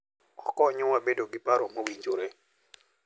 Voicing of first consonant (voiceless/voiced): voiceless